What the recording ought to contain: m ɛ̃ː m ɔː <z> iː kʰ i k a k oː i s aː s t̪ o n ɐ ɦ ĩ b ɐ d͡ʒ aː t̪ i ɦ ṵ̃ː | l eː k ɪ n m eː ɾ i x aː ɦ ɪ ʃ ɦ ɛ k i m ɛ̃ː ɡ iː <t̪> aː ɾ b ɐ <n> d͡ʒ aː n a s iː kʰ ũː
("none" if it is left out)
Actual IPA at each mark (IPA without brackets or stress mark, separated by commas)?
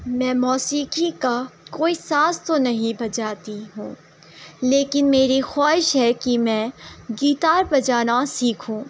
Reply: s, t̪, none